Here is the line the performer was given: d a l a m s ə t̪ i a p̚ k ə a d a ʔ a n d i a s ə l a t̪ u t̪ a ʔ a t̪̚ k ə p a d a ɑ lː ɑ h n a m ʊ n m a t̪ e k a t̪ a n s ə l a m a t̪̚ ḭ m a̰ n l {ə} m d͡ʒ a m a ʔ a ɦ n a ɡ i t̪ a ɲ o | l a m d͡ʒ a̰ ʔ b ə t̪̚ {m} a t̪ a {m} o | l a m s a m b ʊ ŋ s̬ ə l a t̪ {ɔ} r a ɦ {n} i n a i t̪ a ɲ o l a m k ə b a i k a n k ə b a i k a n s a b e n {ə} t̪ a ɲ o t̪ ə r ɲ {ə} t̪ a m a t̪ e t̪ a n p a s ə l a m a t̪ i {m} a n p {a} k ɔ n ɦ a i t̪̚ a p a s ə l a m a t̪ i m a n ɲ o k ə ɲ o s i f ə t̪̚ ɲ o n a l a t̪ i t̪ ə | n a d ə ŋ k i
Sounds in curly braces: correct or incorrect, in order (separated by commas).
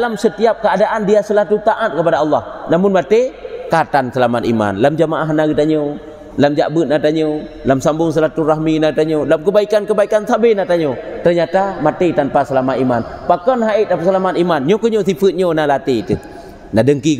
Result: incorrect, incorrect, incorrect, incorrect, incorrect, incorrect, incorrect, correct, correct